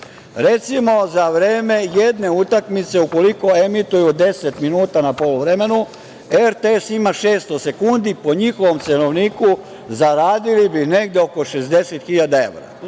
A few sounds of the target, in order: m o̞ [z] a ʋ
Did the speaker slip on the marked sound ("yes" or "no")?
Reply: no